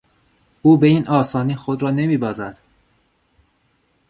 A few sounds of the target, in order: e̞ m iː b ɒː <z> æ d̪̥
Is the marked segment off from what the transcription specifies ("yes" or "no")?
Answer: no